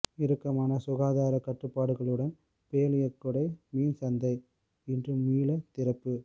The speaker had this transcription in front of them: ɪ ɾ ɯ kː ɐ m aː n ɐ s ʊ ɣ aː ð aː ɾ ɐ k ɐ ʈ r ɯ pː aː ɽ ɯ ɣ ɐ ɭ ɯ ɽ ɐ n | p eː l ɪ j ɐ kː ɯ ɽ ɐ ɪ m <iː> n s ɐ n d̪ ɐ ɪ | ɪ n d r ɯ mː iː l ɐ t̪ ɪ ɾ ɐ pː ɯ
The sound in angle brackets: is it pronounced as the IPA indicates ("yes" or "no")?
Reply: yes